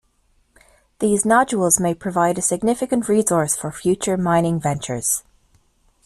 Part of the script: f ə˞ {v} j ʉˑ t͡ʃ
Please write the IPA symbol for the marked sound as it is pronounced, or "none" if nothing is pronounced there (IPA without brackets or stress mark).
f